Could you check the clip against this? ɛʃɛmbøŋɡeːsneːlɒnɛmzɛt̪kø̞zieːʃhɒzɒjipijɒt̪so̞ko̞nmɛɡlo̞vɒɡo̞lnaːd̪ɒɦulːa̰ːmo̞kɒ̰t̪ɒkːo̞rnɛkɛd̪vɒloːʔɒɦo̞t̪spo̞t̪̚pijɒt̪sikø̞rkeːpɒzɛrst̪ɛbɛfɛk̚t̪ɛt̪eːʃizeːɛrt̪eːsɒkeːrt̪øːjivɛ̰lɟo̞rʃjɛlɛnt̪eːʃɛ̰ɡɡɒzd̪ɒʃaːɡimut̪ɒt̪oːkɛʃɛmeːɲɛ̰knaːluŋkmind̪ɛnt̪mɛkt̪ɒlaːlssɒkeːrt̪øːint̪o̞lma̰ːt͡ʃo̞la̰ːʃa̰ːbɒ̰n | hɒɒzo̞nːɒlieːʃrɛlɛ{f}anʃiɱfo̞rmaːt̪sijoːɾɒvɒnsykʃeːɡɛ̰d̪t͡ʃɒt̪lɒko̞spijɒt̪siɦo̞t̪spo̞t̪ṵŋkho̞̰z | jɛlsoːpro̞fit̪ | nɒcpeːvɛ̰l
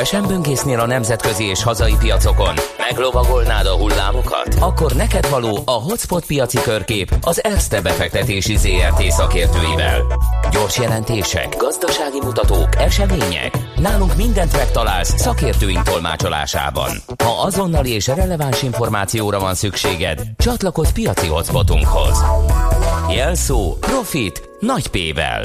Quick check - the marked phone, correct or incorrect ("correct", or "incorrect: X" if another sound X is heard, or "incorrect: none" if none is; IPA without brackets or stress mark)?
incorrect: v